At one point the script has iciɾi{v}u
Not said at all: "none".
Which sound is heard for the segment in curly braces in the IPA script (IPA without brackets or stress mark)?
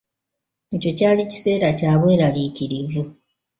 v